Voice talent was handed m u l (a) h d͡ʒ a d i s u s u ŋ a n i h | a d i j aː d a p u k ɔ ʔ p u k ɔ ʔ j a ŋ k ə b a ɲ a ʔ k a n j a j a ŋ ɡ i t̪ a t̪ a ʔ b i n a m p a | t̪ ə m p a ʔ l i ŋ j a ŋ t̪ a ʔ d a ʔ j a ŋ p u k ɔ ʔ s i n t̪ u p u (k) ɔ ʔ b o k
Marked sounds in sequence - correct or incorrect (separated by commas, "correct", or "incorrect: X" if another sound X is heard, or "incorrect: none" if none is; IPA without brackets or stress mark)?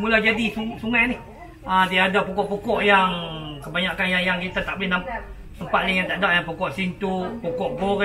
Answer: correct, correct